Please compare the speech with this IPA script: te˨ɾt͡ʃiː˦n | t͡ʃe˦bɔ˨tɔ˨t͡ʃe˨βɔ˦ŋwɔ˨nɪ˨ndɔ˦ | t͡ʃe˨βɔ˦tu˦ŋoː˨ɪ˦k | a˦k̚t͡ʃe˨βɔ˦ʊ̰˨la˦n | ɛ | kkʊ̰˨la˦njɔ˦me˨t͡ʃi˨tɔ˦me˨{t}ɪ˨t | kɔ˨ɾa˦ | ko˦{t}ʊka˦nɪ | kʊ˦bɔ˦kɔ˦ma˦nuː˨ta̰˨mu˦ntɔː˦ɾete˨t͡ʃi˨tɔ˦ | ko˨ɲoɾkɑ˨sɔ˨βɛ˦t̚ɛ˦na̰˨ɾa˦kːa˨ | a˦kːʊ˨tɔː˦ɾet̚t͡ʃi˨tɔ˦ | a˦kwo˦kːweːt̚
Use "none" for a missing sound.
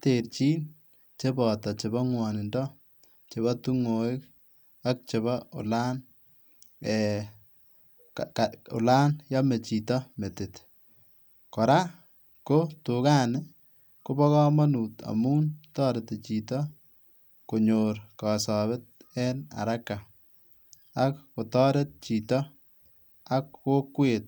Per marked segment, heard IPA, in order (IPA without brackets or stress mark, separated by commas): t, t